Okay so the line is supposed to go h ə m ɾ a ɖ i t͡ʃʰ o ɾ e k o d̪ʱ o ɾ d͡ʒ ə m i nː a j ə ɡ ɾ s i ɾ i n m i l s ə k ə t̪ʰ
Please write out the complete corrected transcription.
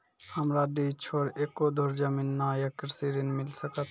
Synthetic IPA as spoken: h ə m ɾ a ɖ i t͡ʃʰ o ɾ e k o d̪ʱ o ɾ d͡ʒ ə m i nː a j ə k ɾ s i ɾ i n m i l s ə k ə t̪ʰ